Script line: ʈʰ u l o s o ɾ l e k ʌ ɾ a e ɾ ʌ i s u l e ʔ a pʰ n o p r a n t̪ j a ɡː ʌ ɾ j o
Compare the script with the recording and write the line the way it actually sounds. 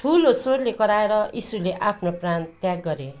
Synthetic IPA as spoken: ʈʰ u l o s o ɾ l e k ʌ ɾ a e ɾ ʌ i s u l e ʔ a pʰ n o p r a n t̪ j a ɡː ʌ ɾ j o